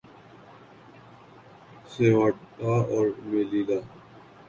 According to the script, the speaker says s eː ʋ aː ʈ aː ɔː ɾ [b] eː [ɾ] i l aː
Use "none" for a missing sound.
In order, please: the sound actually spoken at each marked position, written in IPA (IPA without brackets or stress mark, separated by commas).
m, l